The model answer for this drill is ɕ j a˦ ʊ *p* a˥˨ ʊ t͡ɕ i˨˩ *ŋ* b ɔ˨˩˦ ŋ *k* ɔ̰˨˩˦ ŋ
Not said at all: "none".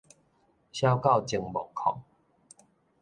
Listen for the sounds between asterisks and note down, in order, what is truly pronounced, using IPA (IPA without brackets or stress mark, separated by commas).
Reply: k, ŋ, kʰ